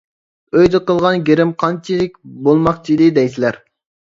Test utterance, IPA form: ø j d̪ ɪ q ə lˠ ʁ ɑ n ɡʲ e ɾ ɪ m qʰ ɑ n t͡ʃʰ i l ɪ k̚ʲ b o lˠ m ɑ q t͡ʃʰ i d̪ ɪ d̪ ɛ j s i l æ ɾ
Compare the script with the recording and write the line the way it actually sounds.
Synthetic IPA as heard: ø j d̪ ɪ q ə lˠ ʁ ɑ n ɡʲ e ɾ ɪ m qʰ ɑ n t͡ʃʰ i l ɪ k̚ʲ b o lˠ m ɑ q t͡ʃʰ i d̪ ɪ d̪ ɛ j s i l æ ɾ

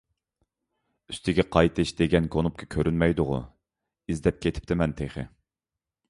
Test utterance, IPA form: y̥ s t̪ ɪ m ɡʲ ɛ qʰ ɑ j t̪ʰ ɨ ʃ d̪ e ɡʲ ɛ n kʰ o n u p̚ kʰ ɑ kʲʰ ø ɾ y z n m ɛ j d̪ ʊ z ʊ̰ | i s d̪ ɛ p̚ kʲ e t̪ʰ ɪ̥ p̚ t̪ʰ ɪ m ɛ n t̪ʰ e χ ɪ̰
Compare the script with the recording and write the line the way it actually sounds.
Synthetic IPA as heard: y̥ s t̪ ɪ ɡʲ ɛ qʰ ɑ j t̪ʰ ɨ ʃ d̪ e ɡʲ ɛ n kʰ o n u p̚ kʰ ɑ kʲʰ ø ɾ y n m ɛ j d̪ ʊ ʁ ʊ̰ | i z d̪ ɛ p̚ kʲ e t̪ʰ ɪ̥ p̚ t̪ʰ ɪ m ɛ n t̪ʰ e χ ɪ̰

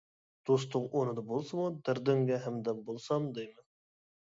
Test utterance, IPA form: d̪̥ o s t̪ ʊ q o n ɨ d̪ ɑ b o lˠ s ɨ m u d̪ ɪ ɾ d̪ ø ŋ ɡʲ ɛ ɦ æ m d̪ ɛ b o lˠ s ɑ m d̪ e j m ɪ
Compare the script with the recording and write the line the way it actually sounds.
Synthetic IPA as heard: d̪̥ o s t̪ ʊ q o n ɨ d̪ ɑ b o lˠ s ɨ m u d̪ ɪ ɾ d̪ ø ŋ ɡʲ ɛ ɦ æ m d̪ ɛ b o lˠ s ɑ m d̪ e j m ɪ

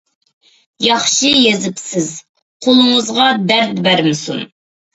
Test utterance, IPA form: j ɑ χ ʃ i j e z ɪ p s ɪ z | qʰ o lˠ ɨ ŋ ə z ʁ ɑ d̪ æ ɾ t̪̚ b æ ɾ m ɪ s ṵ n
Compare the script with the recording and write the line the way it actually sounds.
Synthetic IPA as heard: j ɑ χ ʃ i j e z ɪ p s ɪ z | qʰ o lˠ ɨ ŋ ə z ʁ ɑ d̪ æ ɾ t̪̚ b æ ɾ m ɪ s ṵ n

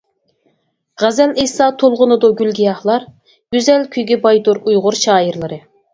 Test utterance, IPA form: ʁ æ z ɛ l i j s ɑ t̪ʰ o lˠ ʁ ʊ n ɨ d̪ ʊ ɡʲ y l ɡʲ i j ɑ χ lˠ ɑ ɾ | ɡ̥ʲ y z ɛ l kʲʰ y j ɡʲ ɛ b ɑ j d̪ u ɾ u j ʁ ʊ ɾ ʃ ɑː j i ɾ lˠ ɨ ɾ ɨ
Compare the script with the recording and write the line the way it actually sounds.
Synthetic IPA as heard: ʁ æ z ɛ l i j s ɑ t̪ʰ o lˠ ʁ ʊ n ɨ d̪ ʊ ɡʲ y l ɡʲ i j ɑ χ lˠ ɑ ɾ | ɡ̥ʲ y z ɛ l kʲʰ y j ɡʲ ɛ b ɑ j d̪ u ɾ u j ʁ ʊ ɾ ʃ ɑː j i ɾ lˠ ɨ ɾ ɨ

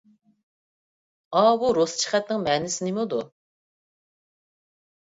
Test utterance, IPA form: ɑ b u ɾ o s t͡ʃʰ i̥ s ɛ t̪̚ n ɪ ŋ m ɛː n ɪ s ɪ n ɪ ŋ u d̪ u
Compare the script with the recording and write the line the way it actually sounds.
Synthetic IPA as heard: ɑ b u ɾ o s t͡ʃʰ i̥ χ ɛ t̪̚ n ɪ ŋ m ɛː n ɪ s ɪ n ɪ m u d̪ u

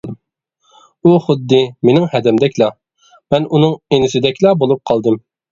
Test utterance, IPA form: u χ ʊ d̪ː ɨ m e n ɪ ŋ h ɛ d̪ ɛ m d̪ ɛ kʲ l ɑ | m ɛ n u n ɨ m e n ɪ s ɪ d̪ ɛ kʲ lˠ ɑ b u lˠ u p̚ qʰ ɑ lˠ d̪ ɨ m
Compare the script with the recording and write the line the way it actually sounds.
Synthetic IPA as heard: u χ ʊ d̪ː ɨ m e n ɪ ŋ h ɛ d̪ ɛ m d̪ ɛ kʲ l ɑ | m ɛ n u n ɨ ŋ e n ɪ s ɪ d̪ ɛ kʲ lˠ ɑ b o lˠ u p̚ qʰ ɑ lˠ d̪ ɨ m

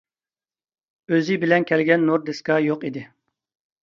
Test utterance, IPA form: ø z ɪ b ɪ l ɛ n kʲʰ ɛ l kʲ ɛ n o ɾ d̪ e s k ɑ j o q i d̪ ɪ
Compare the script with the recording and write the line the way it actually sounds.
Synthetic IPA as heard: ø z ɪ b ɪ l ɛ n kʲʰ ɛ l ɡʲ ɛ nː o ɾ d̪ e s k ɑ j o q i d̪ ɪ

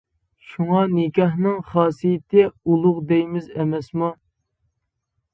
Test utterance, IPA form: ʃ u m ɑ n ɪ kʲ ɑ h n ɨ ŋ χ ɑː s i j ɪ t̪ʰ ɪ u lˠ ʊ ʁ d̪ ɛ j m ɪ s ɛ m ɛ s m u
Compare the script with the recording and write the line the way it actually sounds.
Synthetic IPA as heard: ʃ u ŋ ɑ n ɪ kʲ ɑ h n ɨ ŋ χ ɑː s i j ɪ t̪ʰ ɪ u lˠ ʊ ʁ d̪ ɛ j m ɪ z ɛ m ɛ s m u

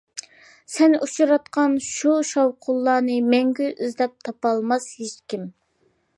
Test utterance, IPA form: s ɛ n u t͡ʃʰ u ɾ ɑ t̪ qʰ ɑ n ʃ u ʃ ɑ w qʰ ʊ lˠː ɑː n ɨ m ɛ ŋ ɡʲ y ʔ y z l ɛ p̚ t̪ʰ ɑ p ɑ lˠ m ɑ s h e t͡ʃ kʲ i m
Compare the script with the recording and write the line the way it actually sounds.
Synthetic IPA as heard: s ɛ n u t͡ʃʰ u ɾ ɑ t̪ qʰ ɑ n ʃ u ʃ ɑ w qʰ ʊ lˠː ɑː n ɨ m ɛ ŋ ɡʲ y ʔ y z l ɛ p̚ t̪ʰ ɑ p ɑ lˠ m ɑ s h e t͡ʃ kʲ i m

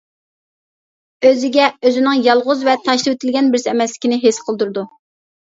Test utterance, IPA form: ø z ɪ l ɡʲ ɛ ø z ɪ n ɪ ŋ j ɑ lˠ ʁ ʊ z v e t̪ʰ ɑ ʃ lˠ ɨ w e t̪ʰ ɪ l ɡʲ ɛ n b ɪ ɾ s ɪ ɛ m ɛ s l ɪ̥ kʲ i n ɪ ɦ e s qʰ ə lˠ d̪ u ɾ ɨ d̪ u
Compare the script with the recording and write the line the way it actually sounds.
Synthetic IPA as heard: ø z ɪ ɡʲ ɛ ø z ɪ n ɪ ŋ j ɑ lˠ ʁ ʊ z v ɛ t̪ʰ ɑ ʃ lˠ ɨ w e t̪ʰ ɪ l ɡʲ ɛ n b ɪ ɾ s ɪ ɛ m ɛ s l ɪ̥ kʲ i n ɪ ɦ e s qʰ ə lˠ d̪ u ɾ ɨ d̪ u

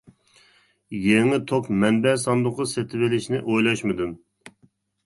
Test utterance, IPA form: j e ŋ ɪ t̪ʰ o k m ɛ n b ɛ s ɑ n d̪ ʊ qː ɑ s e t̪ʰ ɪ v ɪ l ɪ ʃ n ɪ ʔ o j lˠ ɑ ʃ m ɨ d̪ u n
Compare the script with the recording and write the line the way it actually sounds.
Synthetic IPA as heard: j e ŋ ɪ t̪ʰ o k m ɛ n b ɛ s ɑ n d̪ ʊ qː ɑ s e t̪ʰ ɪ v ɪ l ɪ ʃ n ɪ ʔ o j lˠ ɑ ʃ m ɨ d̪ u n

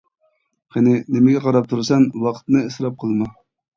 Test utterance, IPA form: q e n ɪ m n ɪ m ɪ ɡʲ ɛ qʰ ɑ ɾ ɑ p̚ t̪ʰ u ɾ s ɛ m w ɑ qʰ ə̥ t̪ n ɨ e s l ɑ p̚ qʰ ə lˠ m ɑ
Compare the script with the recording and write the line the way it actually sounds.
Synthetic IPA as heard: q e n ɪ n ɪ m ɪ ɡʲ ɛ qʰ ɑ ɾ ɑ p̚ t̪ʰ u ɾ s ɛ n w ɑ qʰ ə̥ t̪ n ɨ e s ɾ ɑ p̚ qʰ ə lˠ m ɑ

